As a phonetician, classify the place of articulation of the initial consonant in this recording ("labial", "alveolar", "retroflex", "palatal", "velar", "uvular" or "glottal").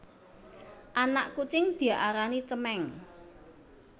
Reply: glottal